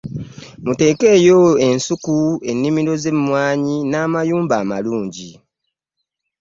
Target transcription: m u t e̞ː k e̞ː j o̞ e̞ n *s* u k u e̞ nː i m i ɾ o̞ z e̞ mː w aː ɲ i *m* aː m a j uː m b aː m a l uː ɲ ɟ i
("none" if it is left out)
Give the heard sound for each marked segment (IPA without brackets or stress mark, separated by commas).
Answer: s, n